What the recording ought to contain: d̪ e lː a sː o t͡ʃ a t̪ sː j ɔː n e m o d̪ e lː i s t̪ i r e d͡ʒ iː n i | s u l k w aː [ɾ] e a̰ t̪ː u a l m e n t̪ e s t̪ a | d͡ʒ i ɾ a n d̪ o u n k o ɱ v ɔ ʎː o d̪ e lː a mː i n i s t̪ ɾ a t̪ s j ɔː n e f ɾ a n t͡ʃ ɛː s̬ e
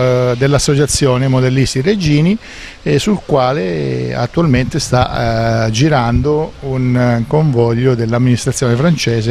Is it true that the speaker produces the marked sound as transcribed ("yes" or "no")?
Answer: no